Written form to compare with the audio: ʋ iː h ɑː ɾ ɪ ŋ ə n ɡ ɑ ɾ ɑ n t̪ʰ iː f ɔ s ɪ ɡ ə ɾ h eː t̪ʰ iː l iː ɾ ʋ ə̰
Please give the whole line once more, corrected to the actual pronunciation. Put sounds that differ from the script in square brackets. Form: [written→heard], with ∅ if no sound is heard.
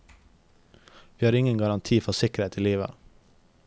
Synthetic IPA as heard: ʋ iː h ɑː ɾ ɪ ŋ ə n ɡ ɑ ɾ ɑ n t̪ʰ iː f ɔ s ɪ [ɡ→k] ə ɾ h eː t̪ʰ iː l iː [ɾ→∅] ʋ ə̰

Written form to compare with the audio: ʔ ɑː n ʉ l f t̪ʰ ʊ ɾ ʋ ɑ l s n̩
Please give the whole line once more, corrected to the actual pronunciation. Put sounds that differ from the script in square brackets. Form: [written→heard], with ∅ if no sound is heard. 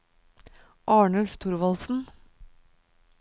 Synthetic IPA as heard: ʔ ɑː [n→ɳ] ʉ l f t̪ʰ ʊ ɾ ʋ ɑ l s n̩

